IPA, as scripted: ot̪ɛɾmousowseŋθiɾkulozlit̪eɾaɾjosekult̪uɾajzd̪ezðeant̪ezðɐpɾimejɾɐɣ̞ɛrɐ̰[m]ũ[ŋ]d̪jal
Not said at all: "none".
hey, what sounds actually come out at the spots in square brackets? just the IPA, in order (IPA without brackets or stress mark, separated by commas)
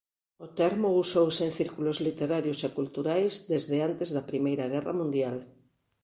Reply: m, n